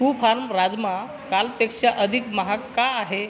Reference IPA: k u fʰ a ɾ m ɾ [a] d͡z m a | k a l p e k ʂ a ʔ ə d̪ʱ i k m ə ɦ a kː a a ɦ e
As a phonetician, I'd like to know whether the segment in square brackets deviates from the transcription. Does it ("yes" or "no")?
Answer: no